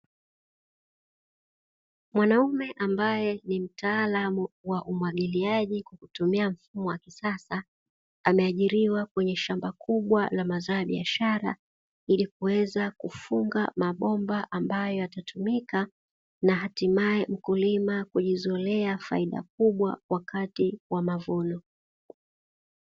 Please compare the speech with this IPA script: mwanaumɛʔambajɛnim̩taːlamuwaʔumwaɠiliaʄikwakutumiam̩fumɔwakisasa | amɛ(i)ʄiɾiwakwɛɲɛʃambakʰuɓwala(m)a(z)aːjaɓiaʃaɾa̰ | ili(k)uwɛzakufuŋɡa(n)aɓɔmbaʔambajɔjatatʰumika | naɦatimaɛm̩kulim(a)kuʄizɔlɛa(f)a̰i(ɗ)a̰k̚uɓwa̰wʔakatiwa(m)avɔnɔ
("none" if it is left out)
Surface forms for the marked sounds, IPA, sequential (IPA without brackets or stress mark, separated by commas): a, m, z, k, m, a, f, ɗ, m